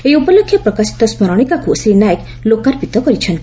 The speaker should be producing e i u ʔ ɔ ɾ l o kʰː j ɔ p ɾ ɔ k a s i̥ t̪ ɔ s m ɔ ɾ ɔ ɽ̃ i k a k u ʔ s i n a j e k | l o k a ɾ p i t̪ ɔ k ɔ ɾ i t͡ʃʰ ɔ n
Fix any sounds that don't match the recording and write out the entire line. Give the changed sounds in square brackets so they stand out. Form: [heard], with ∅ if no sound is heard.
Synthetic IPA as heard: e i u [p] ɔ [∅] l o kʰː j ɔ p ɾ ɔ k a s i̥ t̪ ɔ s m ɔ ɾ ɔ ɽ̃ i k a k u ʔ s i n a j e k | l o k a ɾ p i t̪ ɔ k ɔ ɾ i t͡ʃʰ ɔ n

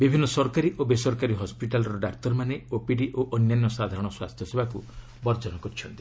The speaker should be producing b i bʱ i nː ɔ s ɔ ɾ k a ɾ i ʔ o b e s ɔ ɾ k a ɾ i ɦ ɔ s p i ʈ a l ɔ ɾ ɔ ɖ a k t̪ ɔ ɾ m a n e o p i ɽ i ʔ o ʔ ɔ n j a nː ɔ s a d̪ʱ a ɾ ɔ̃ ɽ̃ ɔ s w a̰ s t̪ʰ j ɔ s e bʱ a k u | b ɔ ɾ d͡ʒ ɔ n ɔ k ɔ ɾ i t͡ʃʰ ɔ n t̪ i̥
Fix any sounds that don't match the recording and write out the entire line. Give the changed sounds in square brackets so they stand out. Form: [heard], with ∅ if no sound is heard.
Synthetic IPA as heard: b i bʱ i nː ɔ s ɔ ɾ k a ɾ i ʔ o b e s ɔ ɾ k a ɾ i ɦ ɔ s p i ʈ a l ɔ ɾ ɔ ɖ a k t̪ ɔ ɾ m a n e o p i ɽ i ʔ o ʔ ɔ n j a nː ɔ s a d̪ʱ a ɾ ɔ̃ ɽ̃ ɔ s w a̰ s t̪ʰ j ɔ s e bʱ a k u | b ɔ ɾ d͡ʒ ɔ n ɔ k ɔ ɾ i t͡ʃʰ ɔ n t̪ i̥

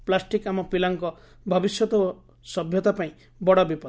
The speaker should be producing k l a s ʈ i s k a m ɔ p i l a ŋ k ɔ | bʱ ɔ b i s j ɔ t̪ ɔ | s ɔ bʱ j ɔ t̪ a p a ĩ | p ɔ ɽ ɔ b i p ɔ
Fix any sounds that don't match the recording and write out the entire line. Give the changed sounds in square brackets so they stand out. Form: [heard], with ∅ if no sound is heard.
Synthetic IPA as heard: [p] l a s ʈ i [∅] k a m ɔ p i l a ŋ k ɔ | bʱ ɔ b i s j ɔ t̪ ɔ | s ɔ bʱ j ɔ t̪ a p a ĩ | [b] ɔ ɽ ɔ b i p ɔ

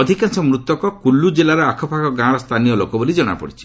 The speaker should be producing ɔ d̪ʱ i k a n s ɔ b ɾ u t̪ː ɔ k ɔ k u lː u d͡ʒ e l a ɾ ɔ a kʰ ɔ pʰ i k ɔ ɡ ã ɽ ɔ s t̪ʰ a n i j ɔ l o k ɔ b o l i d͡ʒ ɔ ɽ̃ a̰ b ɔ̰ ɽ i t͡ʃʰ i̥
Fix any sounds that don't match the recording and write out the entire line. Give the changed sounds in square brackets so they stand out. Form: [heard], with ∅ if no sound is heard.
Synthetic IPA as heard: ɔ d̪ʱ i k a n s ɔ [m] ɾ u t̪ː ɔ k ɔ k u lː u d͡ʒ e l a ɾ ɔ a kʰ ɔ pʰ [a] k ɔ ɡ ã ɽ ɔ s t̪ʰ a n i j ɔ l o k ɔ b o l i d͡ʒ ɔ ɽ̃ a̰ [p] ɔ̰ ɽ i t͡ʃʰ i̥

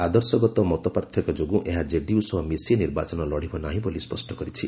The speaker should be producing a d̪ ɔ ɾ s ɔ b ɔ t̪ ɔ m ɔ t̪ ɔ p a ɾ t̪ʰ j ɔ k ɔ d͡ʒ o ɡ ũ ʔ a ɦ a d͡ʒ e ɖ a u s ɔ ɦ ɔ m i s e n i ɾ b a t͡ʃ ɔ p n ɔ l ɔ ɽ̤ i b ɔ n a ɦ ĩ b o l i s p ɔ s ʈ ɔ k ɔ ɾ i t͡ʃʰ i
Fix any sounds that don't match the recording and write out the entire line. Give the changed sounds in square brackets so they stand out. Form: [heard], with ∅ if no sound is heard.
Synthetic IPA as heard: a d̪ ɔ ɾ s ɔ [ɡ] ɔ t̪ ɔ m ɔ t̪ ɔ p a ɾ t̪ʰ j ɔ k ɔ d͡ʒ o ɡ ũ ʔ [e] ɦ a d͡ʒ e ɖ [i] u s ɔ ɦ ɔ m i s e n i ɾ b a t͡ʃ ɔ [∅] n ɔ l ɔ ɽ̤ i b ɔ n a ɦ ĩ b o l i s p ɔ s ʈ ɔ k ɔ ɾ i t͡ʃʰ i

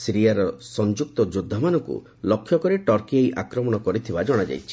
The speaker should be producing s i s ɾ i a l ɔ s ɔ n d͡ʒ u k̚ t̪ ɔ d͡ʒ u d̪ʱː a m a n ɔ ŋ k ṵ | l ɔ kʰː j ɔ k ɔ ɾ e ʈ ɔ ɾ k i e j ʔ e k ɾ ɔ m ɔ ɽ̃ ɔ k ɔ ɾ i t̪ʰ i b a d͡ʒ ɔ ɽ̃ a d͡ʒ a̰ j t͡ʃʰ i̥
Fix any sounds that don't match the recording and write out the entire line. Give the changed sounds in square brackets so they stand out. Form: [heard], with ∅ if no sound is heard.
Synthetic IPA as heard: s i [∅] ɾ i a [ɾ] ɔ s ɔ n d͡ʒ u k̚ t̪ ɔ d͡ʒ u d̪ʱː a m a n ɔ ŋ k ṵ | l ɔ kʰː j ɔ k ɔ ɾ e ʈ ɔ ɾ k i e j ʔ [a] k ɾ ɔ m ɔ ɽ̃ ɔ k ɔ ɾ i t̪ʰ i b a d͡ʒ ɔ ɽ̃ a d͡ʒ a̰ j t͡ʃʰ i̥

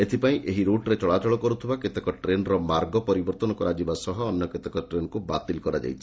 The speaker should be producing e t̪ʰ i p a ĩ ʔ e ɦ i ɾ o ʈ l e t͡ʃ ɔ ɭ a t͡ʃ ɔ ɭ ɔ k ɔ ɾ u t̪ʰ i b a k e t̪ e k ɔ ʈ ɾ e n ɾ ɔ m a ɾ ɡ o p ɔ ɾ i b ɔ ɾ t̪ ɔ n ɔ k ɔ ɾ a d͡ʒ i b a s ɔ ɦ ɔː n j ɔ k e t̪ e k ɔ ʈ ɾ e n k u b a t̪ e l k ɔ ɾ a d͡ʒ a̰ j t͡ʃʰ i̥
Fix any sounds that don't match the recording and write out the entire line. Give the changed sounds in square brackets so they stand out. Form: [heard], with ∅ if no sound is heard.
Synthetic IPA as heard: e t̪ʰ i p a ĩ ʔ e ɦ i ɾ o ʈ [ɾ] e t͡ʃ ɔ ɭ a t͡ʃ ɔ ɭ ɔ k ɔ ɾ u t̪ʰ i b a k e t̪ e k ɔ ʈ ɾ e n ɾ ɔ m a ɾ ɡ [ɔ] p ɔ ɾ i b ɔ ɾ t̪ ɔ n ɔ k ɔ ɾ a d͡ʒ i b a s ɔ ɦ ɔː n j ɔ k e t̪ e k ɔ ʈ ɾ e n k u b a t̪ [i] l k ɔ ɾ a d͡ʒ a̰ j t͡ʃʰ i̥

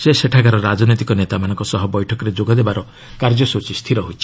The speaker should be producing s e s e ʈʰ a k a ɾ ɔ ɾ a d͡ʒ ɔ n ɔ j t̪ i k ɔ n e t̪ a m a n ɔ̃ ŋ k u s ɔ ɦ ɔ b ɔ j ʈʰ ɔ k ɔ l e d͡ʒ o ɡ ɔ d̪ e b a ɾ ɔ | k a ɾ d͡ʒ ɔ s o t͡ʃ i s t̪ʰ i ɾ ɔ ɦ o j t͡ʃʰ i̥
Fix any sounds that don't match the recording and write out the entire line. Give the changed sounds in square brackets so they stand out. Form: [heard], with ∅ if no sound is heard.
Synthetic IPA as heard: s e s e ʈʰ a k a ɾ ɔ ɾ a d͡ʒ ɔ n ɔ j t̪ i k ɔ n e t̪ a m a n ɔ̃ ŋ k [ɔ] s ɔ ɦ ɔ b ɔ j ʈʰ ɔ k ɔ [ɾ] e d͡ʒ o ɡ ɔ d̪ e b a ɾ ɔ | k a ɾ d͡ʒ ɔ s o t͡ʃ i s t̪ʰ i ɾ ɔ ɦ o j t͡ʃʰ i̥

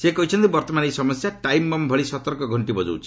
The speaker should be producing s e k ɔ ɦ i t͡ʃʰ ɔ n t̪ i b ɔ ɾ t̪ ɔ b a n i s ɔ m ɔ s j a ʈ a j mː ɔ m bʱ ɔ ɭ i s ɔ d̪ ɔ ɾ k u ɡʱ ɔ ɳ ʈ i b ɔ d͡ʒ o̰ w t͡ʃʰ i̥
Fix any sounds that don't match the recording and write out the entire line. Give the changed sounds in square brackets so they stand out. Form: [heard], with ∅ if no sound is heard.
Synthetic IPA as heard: s e k ɔ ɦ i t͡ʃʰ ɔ n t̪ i b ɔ ɾ t̪ ɔ [m] a n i s ɔ m ɔ s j a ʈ a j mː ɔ m bʱ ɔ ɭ i s ɔ [t̪] ɔ ɾ k [ɔ] ɡʱ ɔ ɳ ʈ i b ɔ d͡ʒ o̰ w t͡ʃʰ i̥

